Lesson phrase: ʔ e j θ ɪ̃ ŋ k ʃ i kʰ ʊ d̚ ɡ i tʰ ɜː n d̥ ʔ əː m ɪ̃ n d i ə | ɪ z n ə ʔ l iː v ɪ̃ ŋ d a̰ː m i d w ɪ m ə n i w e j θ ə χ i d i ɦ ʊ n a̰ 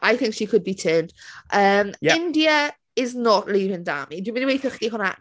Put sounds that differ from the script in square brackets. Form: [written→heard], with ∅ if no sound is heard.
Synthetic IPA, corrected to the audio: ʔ [e→a] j θ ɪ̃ ŋ k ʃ i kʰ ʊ d̚ [ɡ→b] i tʰ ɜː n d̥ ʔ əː m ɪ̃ n d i ə | ɪ z n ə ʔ l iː v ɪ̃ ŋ d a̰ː m i d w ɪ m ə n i w e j θ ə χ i d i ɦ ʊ n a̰